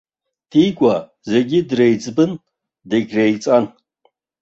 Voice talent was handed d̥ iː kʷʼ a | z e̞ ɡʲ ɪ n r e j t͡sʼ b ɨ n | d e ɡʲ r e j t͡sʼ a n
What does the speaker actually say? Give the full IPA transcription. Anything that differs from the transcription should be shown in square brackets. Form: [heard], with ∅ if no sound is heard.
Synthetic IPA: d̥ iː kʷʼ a | z e̞ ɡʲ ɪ [d] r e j t͡sʼ b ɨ n | d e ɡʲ r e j t͡sʼ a n